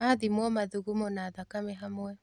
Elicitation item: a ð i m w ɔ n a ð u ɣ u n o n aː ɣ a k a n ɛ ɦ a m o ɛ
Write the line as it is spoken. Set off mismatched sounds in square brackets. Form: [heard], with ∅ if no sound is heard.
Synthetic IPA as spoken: a ð i m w ɔ [m] a ð u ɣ u [m] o n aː [ð] a k a [m] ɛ ɦ a m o ɛ

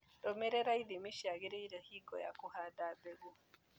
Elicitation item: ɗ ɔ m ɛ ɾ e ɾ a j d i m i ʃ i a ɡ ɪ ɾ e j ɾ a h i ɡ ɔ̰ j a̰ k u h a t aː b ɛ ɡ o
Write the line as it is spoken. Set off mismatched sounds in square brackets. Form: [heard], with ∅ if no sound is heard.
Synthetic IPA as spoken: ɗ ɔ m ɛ ɾ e ɾ a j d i m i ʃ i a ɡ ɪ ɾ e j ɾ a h i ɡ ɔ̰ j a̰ k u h a [d] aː b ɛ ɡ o

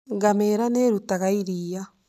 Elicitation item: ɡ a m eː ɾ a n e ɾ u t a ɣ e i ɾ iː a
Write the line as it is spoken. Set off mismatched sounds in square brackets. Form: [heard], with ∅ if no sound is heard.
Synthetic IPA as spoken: ɡ a m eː ɾ a n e ɾ u t a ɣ [a] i ɾ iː a

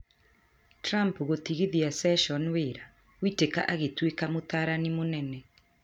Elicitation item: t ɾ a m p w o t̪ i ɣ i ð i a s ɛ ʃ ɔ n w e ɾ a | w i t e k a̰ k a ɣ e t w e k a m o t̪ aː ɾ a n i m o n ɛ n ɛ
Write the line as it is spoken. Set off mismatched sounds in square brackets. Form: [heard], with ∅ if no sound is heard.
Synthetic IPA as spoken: t ɾ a m p [ɣ] o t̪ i ɣ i ð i a s ɛ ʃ ɔ n w e ɾ a | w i t e k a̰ [ʔ] a ɣ e t w e k a m o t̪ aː ɾ a n i m o n ɛ n ɛ

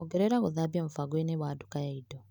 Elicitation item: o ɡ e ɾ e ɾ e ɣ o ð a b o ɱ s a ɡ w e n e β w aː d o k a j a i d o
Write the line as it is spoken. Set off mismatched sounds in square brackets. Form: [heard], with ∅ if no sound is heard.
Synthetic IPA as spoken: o ɡ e ɾ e ɾ [a] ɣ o ð a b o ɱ [f] a ɡ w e n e β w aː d [u] k a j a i d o

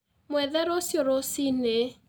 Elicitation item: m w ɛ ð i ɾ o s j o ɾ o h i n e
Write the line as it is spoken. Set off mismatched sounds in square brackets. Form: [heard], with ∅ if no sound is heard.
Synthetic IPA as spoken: m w ɛ ð [ɛ] ɾ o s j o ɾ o [s] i n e

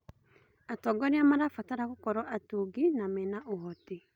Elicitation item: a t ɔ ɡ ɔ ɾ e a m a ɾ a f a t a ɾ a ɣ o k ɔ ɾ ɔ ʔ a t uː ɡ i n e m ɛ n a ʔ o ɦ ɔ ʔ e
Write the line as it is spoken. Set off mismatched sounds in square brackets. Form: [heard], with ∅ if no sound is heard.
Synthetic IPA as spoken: a t ɔ ɡ ɔ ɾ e a m a ɾ a f a t a ɾ a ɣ o k ɔ ɾ ɔ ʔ a t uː ɡ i n [a] m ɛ n a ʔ o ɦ ɔ [t] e

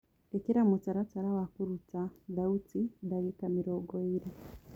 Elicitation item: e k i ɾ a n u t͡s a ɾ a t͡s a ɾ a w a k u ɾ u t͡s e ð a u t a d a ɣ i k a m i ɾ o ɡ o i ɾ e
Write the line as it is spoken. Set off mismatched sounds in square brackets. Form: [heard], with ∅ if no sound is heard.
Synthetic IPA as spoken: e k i ɾ a [m] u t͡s a ɾ a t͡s a ɾ a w a k u ɾ u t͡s [a] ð a u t [i] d a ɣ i k a m i ɾ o ɡ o i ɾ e

